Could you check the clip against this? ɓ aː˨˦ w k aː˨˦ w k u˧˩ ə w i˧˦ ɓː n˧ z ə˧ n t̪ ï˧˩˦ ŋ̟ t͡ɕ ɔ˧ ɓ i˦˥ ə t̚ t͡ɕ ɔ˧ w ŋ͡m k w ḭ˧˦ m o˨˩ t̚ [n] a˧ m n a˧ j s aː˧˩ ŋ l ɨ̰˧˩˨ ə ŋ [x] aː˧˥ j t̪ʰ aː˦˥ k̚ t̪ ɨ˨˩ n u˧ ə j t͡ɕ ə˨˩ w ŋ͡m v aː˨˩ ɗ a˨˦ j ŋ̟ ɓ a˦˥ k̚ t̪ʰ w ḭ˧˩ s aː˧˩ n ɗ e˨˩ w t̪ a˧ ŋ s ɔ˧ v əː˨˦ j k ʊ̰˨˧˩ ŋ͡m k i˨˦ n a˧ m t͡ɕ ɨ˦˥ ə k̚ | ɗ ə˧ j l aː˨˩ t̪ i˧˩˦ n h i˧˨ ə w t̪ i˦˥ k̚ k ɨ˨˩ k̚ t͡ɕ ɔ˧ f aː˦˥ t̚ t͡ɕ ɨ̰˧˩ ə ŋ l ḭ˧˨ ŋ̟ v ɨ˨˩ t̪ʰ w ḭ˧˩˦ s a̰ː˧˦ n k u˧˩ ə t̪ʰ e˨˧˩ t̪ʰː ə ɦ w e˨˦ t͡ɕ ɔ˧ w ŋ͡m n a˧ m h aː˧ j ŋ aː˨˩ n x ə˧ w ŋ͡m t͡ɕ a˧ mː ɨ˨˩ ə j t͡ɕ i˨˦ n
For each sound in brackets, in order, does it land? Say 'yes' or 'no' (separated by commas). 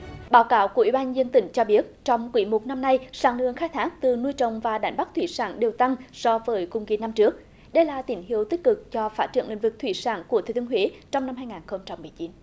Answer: yes, yes